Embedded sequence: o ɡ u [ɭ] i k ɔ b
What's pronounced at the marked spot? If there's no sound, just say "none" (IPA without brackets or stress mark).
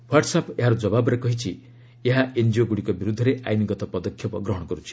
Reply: ɽ